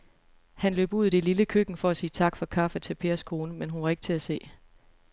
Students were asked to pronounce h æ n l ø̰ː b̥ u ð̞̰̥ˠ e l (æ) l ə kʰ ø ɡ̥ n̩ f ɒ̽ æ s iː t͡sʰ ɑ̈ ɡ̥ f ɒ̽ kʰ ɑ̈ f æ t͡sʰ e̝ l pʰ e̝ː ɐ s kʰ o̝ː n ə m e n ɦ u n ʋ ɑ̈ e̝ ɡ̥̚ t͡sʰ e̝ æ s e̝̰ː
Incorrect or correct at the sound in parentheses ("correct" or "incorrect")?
incorrect